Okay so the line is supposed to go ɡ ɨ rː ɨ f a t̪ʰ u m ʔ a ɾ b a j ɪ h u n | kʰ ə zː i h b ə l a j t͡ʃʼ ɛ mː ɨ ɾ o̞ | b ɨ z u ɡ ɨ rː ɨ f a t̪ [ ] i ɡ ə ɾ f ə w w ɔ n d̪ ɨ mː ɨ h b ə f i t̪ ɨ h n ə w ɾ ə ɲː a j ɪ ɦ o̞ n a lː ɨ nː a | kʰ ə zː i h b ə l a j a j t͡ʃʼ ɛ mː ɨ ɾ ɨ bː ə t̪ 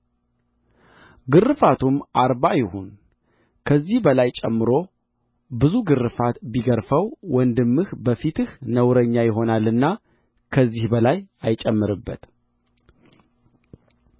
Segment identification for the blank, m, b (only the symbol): b